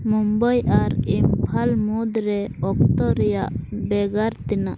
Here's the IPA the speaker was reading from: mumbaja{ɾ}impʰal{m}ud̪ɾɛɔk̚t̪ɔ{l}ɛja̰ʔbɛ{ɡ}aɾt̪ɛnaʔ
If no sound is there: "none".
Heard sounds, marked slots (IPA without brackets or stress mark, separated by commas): ɾ, m, ɾ, ɡ